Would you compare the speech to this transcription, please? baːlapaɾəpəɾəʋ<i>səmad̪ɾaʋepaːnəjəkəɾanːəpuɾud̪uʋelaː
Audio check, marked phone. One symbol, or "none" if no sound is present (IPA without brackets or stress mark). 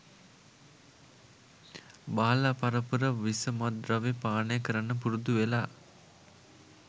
i